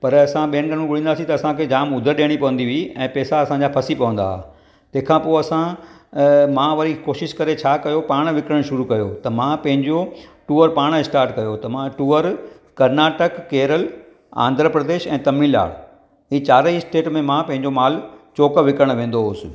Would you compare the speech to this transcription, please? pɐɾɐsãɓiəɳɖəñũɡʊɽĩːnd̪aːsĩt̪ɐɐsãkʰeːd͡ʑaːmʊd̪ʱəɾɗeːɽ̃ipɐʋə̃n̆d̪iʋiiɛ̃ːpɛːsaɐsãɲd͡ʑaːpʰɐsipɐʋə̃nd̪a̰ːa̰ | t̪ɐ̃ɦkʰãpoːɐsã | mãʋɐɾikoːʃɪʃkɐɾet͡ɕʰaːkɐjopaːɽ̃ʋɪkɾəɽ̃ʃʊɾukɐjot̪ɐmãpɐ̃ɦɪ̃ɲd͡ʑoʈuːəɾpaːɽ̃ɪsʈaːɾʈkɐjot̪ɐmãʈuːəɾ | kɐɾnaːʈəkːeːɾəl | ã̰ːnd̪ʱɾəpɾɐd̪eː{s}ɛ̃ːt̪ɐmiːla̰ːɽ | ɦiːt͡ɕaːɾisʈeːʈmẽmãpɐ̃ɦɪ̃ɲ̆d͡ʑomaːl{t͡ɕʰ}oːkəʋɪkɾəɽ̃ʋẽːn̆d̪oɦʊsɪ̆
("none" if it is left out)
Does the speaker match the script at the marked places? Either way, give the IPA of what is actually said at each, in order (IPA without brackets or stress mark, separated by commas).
ʃ, t͡ɕ